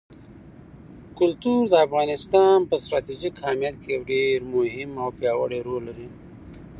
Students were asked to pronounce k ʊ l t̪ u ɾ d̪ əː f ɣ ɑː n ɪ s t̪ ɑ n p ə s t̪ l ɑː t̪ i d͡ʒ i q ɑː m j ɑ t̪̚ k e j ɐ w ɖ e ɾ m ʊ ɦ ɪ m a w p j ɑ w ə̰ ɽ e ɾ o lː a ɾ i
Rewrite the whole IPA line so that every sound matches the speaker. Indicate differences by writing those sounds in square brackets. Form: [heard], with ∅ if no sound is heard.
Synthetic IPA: k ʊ l t̪ u ɾ d̪ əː f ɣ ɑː n ɪ s t̪ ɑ n p ə s t̪ [ɾ] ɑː t̪ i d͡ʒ i [k] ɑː m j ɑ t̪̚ k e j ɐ w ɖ e ɾ m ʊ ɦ ɪ m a w p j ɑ w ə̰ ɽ e ɾ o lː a ɾ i